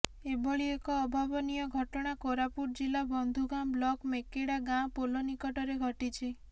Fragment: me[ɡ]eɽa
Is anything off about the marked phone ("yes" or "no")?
yes